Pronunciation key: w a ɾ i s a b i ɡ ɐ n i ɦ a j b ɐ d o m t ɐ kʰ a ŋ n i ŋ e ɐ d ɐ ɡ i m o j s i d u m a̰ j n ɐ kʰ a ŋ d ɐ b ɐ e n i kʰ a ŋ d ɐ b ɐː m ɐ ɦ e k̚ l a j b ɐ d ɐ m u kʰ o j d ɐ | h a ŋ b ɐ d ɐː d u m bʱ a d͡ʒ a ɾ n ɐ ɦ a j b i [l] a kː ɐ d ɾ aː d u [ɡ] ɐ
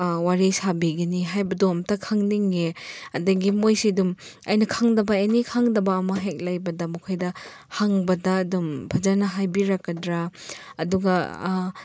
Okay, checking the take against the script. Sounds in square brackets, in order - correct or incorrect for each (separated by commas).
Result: incorrect, correct